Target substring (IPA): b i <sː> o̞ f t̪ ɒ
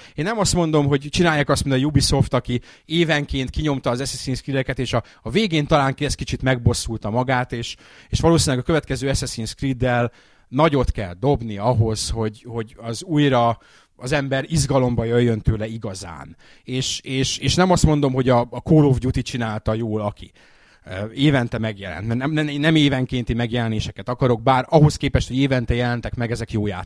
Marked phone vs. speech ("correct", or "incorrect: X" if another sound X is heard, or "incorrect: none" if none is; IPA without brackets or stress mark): incorrect: s